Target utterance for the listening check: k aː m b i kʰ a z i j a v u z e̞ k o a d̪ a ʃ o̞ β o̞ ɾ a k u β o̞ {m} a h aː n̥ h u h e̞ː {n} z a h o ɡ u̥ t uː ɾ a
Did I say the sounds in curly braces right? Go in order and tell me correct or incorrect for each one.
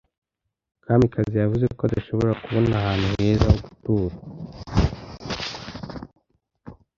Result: incorrect: n, incorrect: none

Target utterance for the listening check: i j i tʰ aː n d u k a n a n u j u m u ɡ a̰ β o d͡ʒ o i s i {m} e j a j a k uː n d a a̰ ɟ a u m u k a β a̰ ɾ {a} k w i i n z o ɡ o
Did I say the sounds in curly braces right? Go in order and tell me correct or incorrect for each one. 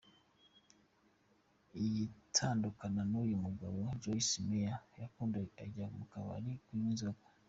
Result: correct, incorrect: i

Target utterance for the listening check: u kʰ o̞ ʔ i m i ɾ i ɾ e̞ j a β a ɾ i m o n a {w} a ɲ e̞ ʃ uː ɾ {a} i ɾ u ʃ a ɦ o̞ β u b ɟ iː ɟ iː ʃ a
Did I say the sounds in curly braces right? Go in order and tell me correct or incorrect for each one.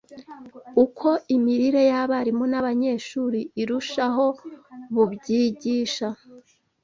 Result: incorrect: β, incorrect: i

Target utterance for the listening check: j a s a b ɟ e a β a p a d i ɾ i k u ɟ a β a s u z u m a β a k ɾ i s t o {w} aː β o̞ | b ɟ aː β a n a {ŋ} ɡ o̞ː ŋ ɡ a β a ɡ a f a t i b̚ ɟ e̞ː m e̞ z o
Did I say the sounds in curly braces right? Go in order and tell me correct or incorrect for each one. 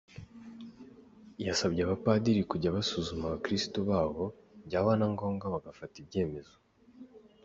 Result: incorrect: β, correct

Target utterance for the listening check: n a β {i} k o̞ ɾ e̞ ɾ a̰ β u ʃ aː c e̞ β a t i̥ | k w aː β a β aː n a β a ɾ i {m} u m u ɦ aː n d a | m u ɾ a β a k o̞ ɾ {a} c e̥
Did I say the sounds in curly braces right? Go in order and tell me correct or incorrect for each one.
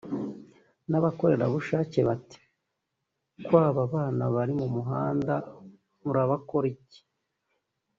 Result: incorrect: a, correct, incorrect: i

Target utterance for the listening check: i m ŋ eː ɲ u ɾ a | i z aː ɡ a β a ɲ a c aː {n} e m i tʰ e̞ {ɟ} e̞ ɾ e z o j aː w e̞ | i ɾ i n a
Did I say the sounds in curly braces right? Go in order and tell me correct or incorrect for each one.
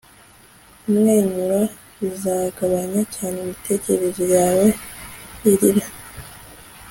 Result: correct, incorrect: c

